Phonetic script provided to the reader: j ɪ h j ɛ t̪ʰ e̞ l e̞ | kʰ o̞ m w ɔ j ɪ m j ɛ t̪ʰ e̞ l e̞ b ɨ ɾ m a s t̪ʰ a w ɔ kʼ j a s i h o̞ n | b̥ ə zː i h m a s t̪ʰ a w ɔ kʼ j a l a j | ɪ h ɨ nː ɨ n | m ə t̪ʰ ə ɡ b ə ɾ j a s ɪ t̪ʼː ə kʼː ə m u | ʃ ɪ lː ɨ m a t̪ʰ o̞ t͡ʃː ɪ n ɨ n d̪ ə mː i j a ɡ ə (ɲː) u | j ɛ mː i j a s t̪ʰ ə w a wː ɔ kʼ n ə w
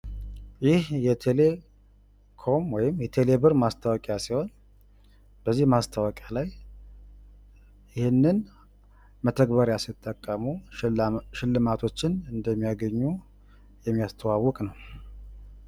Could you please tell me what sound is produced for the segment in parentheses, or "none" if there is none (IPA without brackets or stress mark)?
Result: ɲː